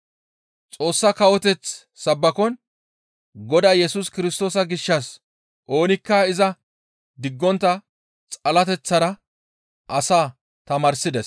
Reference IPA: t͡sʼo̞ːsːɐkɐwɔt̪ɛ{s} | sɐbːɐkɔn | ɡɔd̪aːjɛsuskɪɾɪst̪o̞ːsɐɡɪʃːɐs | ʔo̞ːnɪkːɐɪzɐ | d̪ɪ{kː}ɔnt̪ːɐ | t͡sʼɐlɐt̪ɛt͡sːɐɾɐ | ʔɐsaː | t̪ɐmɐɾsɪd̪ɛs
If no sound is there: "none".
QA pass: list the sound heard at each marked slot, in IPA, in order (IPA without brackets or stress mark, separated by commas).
t͡s, ɡː